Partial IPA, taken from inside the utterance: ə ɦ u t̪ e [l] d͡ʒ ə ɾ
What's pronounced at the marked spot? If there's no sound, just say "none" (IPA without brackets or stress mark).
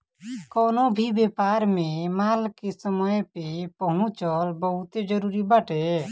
none